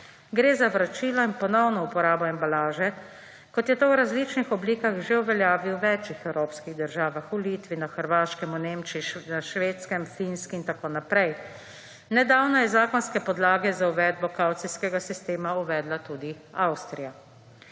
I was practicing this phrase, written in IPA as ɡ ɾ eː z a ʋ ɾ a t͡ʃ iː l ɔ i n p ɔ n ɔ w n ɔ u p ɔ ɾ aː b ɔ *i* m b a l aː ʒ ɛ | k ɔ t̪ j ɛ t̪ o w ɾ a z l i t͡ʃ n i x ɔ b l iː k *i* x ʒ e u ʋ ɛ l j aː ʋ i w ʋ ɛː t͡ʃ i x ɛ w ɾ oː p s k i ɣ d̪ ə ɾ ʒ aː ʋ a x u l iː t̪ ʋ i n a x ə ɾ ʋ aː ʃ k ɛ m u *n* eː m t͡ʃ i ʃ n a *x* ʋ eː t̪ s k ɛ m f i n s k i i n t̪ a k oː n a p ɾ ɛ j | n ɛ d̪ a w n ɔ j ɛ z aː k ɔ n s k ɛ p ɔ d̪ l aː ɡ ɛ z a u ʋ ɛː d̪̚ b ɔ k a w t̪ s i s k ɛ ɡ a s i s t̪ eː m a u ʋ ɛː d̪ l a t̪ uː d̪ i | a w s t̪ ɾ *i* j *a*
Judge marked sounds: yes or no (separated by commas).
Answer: no, no, yes, no, yes, yes